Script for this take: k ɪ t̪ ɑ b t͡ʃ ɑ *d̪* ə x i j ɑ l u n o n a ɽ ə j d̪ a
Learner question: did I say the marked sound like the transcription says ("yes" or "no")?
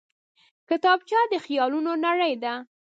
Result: yes